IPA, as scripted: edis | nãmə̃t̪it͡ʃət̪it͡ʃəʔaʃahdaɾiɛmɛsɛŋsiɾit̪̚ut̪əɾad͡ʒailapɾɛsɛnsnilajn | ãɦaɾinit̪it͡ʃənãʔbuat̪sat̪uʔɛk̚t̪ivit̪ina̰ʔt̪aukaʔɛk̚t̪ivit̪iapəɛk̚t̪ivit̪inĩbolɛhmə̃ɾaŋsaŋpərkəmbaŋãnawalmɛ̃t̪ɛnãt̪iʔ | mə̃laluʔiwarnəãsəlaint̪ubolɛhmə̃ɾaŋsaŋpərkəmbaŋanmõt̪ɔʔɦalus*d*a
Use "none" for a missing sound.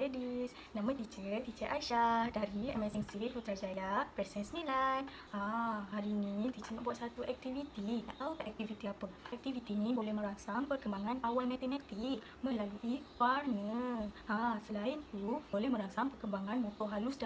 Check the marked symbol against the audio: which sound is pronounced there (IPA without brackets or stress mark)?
d